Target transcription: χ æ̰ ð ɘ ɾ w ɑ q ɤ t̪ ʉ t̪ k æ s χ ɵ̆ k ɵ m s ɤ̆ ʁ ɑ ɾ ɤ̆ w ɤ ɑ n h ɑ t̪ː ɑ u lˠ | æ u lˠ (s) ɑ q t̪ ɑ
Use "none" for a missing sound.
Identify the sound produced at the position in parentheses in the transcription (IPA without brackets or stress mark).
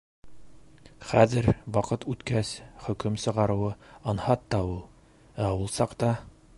s